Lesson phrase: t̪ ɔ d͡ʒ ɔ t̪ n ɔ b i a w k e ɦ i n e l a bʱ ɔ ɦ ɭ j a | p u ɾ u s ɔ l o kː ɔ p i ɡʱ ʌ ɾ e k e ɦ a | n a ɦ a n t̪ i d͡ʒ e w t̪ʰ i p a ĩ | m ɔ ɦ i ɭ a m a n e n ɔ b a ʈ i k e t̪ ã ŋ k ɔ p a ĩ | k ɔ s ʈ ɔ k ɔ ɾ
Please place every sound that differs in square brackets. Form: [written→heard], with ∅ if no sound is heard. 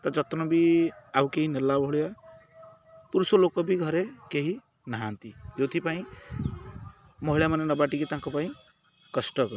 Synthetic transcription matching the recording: t̪ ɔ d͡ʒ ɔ t̪ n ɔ b i a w k e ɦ i n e l a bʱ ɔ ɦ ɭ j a | p u ɾ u s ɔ l o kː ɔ [p→b] i ɡʱ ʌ ɾ e k e ɦ [a→i] | n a ɦ a n t̪ i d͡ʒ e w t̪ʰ i p a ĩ | m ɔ ɦ i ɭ a m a n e n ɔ b a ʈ i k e t̪ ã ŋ k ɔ p a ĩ | k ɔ s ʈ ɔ k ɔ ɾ